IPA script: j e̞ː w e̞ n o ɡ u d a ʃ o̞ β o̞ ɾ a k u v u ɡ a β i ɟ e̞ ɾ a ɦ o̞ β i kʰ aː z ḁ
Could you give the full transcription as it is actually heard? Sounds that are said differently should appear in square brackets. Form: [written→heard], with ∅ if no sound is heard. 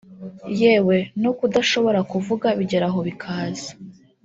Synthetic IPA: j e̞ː w e̞ n o [ɡ→k] u d a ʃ o̞ β o̞ ɾ a k u v u ɡ a β i ɟ e̞ ɾ a ɦ o̞ β i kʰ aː z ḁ